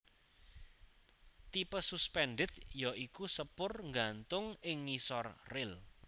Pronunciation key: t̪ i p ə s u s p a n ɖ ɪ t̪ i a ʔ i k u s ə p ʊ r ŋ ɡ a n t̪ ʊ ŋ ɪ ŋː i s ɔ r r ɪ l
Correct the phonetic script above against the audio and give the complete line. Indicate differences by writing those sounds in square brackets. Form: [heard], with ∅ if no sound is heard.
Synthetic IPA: t̪ i p ə s u s p [ɛ] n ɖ ɪ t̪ [j] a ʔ i k u s ə p ʊ r ŋ ɡ a n t̪ ʊ ŋ ɪ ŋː i s ɔ r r ɪ l